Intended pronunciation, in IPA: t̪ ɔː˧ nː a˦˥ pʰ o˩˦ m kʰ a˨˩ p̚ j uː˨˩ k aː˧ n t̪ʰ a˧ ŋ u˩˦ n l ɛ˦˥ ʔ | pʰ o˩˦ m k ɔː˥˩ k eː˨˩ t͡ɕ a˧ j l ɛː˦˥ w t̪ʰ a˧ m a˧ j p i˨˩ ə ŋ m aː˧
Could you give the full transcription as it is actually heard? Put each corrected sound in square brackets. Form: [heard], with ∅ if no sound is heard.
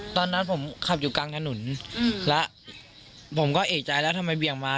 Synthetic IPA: t̪ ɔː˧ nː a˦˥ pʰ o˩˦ m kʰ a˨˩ p̚ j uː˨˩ k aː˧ [ŋ] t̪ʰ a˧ [n] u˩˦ n l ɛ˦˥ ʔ | pʰ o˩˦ m k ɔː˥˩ [ʔ] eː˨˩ t͡ɕ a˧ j l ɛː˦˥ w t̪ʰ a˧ m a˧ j [b] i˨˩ ə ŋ m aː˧